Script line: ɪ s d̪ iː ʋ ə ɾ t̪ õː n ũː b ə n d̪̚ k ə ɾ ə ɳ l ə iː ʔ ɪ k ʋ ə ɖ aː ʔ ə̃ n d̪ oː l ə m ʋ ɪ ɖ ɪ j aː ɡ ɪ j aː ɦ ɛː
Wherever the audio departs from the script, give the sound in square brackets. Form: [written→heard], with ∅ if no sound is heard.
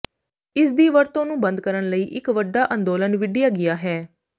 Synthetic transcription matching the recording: ɪ s d̪ iː ʋ ə ɾ t̪ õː n ũː b ə n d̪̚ k ə ɾ ə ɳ l ə iː ʔ ɪ k ʋ ə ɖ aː ʔ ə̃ n d̪ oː l ə [m→n] ʋ ɪ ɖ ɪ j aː ɡ ɪ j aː ɦ ɛː